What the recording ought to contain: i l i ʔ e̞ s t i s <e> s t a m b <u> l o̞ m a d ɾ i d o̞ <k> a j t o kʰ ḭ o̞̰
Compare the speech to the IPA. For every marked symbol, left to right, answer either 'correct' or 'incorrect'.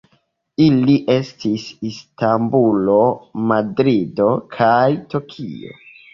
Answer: incorrect, correct, incorrect

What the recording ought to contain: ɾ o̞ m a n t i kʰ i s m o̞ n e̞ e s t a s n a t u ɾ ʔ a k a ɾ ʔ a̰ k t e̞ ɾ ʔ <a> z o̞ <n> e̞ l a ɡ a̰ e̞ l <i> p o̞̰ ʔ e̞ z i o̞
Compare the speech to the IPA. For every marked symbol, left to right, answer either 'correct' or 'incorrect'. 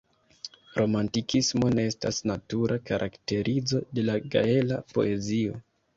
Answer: incorrect, incorrect, incorrect

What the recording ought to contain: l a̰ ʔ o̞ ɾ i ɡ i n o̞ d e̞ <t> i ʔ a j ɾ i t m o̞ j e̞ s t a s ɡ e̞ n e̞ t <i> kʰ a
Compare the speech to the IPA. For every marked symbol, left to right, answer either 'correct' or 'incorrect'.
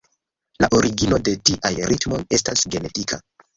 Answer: correct, correct

